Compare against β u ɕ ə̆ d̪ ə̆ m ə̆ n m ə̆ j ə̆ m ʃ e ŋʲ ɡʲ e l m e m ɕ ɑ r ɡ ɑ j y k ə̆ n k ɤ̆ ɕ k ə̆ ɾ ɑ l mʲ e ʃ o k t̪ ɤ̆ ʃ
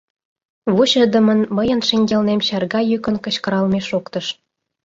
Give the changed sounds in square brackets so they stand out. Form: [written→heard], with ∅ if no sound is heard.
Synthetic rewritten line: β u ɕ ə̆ d̪ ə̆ m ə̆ n m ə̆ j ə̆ [m→n] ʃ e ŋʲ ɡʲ e l [m→n] e m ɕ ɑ r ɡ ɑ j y k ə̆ n k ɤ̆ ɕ k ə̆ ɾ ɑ l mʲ e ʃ o k t̪ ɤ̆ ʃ